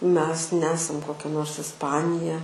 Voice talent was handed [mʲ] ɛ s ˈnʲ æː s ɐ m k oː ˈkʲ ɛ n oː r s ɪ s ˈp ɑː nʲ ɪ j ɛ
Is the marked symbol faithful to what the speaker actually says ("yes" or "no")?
yes